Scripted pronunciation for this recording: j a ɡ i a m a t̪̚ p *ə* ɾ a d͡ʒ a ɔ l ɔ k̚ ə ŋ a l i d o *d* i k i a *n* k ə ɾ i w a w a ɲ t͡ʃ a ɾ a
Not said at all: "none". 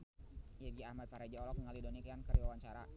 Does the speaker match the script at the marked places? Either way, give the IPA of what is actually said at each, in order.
a, n, n

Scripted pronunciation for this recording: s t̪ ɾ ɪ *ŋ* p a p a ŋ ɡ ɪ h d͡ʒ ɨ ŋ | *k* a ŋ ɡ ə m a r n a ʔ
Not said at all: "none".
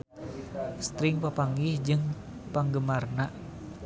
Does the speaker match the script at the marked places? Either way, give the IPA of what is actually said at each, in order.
ŋ, p

